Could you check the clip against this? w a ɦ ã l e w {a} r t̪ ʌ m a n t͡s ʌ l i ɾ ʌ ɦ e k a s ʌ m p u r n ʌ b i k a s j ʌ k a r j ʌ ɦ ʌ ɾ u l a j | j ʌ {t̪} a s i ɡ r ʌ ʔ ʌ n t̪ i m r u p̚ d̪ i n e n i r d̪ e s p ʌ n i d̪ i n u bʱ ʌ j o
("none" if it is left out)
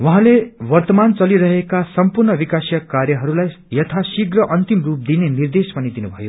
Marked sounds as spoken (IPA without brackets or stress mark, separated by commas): ʌ, t̪ʰ